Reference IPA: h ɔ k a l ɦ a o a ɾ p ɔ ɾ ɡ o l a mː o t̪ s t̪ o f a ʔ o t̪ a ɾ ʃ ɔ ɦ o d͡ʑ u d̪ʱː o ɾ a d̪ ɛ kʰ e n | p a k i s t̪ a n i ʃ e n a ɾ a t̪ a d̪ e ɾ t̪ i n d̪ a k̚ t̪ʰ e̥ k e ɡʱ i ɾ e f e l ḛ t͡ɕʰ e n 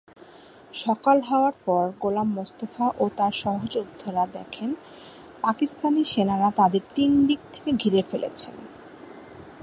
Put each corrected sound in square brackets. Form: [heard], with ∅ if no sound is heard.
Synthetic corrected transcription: [ʃ] ɔ k a l ɦ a o a ɾ p ɔ ɾ ɡ o l a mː o [∅] s t̪ o f a ʔ o t̪ a ɾ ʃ ɔ ɦ o d͡ʑ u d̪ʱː o ɾ a d̪ ɛ kʰ e n | p a k i s t̪ a n i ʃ e n a ɾ a t̪ a d̪ e ɾ t̪ i n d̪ [i] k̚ t̪ʰ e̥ k e ɡʱ i ɾ e f e l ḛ t͡ɕʰ e n